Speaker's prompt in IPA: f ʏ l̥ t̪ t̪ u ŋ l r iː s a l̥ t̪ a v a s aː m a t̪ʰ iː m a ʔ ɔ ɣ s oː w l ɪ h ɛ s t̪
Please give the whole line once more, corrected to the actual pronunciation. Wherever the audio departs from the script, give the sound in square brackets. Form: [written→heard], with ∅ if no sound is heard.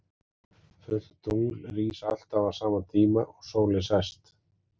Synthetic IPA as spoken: f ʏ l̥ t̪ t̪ u ŋ l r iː s a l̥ t̪ a v a s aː m a t̪ʰ iː m a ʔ ɔ ɣ s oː w l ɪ [h→s] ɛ s t̪